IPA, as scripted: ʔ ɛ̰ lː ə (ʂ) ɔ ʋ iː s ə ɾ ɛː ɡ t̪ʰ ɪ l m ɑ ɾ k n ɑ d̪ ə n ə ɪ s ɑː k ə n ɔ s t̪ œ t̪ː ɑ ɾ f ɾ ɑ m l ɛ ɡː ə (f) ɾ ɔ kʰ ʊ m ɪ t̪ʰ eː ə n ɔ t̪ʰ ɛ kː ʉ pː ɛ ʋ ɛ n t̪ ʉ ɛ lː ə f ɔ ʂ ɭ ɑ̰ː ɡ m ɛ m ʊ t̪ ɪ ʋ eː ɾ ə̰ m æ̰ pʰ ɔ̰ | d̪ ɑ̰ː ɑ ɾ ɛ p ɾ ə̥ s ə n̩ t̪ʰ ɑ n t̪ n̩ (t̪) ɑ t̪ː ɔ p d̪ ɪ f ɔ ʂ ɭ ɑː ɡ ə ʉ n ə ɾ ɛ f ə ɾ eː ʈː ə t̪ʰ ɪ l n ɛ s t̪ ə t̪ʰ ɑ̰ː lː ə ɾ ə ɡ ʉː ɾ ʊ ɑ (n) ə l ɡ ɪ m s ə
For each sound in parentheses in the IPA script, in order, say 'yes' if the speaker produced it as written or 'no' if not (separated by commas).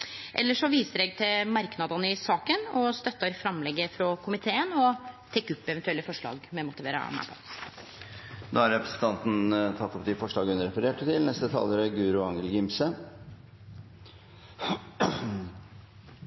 yes, yes, no, no